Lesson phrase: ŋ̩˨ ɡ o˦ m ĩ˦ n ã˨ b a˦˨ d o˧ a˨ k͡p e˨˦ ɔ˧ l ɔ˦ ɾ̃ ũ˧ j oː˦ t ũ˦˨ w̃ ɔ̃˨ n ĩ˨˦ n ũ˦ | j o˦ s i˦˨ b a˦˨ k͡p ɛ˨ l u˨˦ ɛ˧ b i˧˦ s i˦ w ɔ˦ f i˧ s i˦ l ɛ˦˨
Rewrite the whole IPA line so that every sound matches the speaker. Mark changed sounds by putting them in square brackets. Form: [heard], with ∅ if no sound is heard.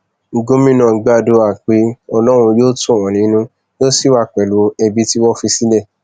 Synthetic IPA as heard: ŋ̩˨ ɡ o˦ m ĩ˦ n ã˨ [ɡ͡b] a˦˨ d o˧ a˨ k͡p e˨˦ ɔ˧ l ɔ˦ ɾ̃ ũ˧ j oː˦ t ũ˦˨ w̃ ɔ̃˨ n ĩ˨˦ n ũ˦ | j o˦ s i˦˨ [w] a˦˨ k͡p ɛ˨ l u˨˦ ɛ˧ b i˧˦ [t] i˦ w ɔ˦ f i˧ s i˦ l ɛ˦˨